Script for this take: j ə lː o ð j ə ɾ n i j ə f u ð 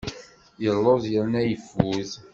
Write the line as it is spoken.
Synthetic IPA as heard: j ə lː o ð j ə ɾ n æ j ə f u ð